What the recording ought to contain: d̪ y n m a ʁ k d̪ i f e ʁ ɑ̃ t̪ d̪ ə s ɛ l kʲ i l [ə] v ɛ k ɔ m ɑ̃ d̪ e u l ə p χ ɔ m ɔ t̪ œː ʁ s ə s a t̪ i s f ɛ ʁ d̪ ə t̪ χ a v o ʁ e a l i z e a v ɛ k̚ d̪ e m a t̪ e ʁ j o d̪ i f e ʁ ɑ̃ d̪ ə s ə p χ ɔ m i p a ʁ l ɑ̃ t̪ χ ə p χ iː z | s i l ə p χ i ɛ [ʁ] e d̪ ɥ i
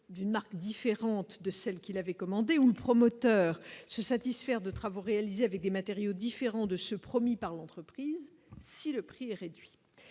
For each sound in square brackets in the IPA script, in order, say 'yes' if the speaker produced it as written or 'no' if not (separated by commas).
no, yes